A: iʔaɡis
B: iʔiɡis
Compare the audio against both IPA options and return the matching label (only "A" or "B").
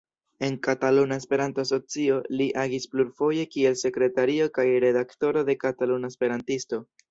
A